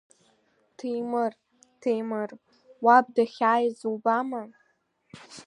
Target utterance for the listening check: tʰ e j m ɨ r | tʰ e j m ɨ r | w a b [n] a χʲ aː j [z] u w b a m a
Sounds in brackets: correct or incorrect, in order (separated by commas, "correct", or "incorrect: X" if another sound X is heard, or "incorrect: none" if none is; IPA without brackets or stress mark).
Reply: incorrect: d, correct